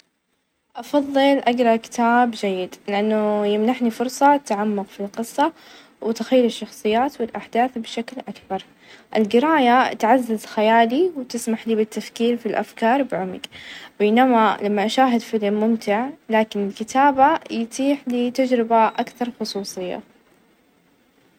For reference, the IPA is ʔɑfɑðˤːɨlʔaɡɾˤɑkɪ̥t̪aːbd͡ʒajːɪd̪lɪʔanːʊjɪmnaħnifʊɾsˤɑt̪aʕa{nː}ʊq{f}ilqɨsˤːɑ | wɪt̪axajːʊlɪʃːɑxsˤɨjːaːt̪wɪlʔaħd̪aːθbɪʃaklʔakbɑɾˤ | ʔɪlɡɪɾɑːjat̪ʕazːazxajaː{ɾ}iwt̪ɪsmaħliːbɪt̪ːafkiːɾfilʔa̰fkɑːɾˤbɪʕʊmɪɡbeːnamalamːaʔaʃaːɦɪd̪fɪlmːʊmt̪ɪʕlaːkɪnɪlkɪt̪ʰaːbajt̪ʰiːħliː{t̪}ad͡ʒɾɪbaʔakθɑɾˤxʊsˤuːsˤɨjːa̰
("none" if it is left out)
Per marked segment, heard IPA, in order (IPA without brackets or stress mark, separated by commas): mː, f, l, t̪